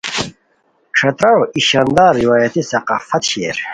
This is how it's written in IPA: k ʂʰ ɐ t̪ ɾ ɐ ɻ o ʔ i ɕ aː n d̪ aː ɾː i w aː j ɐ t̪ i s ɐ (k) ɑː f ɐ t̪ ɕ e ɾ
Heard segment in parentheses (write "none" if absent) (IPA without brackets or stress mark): q